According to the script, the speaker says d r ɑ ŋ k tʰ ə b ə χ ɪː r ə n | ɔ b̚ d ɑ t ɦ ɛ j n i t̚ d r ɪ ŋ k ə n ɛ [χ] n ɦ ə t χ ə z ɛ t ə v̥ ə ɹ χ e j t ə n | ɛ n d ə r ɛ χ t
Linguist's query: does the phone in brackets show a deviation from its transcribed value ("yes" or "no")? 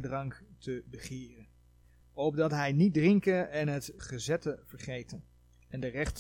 yes